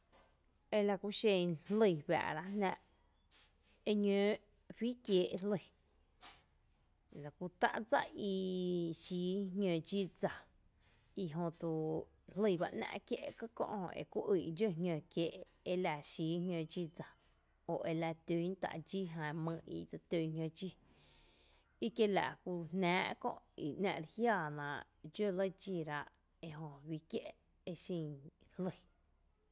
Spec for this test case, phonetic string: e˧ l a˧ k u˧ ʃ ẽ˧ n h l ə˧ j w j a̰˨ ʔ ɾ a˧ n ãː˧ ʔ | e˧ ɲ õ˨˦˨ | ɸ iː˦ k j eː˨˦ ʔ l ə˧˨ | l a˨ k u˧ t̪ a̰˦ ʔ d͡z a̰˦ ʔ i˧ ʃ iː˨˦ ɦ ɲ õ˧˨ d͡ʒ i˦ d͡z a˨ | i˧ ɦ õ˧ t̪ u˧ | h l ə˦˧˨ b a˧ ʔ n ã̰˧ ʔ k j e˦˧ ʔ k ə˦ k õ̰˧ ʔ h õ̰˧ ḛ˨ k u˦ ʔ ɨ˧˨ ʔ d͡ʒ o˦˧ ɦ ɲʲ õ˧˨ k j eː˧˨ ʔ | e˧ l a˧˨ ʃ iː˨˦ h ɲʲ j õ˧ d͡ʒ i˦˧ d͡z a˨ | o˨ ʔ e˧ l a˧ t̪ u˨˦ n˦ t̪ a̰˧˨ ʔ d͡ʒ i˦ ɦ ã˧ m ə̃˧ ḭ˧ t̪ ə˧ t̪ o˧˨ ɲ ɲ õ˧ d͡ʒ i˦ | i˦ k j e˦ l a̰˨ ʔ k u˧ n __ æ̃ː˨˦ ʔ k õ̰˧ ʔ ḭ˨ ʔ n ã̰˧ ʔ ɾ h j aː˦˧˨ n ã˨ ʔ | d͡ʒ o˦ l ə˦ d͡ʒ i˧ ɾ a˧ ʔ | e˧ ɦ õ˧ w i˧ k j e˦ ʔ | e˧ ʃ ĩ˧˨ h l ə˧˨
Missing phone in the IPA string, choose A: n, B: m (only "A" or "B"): A